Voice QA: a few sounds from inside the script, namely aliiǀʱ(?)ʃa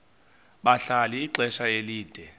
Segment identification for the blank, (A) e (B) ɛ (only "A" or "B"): B